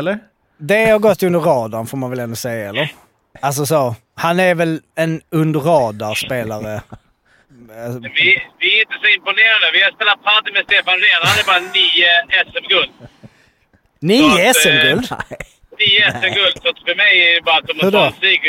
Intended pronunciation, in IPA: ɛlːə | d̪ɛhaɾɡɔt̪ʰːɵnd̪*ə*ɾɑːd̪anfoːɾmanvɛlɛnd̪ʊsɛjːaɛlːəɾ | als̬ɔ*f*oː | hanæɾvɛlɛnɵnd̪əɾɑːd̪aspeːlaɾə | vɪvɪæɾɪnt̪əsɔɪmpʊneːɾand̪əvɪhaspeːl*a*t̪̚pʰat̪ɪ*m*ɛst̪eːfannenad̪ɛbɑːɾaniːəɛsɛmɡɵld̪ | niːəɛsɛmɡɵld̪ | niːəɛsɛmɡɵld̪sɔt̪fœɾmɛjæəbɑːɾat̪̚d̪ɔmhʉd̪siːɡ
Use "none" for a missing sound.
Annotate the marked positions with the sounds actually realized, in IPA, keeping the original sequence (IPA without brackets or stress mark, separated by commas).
ə, s, a, m